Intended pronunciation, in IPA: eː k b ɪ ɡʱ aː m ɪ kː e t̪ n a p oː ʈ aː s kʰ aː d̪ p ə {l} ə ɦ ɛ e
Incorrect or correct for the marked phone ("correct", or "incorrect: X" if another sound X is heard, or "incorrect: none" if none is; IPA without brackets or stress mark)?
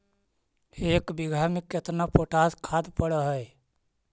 incorrect: ɽ